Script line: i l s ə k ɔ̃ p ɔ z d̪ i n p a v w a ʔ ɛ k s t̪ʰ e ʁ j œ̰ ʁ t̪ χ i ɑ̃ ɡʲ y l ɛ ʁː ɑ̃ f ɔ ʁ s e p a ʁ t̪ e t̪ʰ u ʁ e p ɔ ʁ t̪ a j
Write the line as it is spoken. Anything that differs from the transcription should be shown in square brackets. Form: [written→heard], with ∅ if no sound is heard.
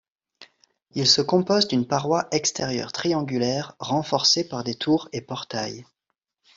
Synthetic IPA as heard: i l s ə k ɔ̃ p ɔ z d̪ [i→y] n p a [v→ʁ] w a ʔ ɛ k s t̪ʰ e ʁ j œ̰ ʁ t̪ χ i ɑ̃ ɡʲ y l ɛ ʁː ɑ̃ f ɔ ʁ s e p a ʁ [t̪→d̪] e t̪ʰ u ʁ e p ɔ ʁ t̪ a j